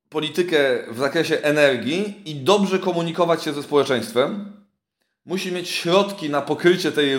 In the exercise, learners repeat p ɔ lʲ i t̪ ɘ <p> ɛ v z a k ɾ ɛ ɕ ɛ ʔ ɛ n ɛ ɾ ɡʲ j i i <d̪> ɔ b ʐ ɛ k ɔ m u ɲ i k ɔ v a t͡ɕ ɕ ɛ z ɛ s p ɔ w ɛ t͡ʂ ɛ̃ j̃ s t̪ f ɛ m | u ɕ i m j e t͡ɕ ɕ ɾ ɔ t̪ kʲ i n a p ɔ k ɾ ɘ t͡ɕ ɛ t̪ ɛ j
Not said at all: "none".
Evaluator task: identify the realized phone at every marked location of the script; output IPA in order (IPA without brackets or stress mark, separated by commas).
k, d̪